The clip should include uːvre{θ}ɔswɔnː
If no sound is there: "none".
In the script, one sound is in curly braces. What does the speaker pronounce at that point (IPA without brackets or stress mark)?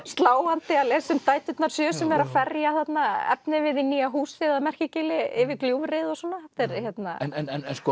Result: ð